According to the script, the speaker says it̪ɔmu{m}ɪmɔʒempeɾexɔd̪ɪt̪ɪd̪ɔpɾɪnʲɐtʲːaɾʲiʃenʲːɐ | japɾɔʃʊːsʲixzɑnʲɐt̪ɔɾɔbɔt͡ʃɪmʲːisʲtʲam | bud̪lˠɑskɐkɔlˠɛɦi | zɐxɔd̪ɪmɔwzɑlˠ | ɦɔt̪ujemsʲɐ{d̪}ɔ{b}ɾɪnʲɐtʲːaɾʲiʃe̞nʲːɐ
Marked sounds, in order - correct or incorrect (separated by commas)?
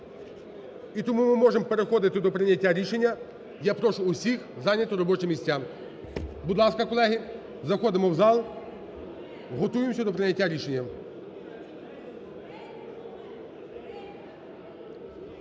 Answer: correct, correct, incorrect